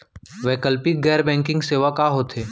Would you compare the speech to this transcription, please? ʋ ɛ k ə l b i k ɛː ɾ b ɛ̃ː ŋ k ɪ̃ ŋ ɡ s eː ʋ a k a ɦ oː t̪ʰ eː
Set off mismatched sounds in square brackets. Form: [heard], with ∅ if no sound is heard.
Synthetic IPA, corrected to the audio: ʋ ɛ k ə l [p] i [ɡ] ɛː ɾ b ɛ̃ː ŋ k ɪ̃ ŋ ɡ s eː ʋ a k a ɦ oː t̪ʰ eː